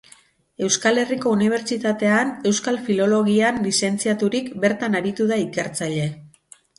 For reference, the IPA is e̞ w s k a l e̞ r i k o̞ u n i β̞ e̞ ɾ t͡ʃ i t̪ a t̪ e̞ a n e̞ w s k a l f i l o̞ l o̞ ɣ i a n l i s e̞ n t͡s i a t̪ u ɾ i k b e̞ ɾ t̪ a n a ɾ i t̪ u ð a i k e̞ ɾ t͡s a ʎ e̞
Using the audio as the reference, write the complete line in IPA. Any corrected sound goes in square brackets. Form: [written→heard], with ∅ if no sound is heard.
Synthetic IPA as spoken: e̞ w s k a l e̞ r i k o̞ u n i β̞ e̞ ɾ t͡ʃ i t̪ a t̪ e̞ a n e̞ w s k a l f i l o̞ l o̞ ɣ i a n l i s e̞ n t͡s i a t̪ u ɾ i k b e̞ ɾ t̪ a n a ɾ i t̪ u ð a i k e̞ ɾ t͡s a ʎ e̞